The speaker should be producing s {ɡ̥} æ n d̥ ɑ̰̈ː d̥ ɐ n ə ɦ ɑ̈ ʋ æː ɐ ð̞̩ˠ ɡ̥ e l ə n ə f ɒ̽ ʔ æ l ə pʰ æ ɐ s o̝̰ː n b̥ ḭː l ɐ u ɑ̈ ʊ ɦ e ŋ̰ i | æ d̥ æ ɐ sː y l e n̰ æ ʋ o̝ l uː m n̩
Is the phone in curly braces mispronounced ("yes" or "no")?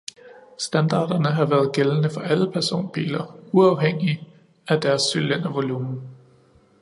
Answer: yes